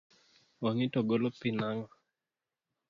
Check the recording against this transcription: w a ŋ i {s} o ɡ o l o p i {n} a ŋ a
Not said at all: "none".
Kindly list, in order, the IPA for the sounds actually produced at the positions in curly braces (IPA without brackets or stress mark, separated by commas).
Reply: t, n